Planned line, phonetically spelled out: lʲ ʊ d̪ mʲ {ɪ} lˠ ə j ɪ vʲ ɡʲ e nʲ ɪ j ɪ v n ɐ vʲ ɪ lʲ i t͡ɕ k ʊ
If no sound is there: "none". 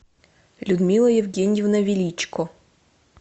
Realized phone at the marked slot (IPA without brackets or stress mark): i